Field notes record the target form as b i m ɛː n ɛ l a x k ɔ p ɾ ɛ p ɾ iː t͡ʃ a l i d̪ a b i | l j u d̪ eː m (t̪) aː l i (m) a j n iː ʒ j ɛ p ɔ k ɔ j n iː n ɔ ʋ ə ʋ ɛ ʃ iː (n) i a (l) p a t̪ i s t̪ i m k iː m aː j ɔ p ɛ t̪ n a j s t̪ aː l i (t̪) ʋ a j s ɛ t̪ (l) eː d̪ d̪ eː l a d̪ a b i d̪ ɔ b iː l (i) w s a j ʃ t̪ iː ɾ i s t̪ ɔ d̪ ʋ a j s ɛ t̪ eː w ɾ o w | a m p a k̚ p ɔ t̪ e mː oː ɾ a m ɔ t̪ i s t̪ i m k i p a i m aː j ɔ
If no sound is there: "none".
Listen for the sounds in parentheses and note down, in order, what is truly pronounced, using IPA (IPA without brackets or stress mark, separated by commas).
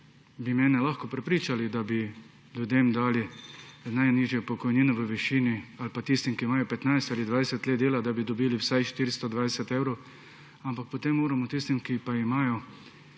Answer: d̪, n, n, l, d̪, l, i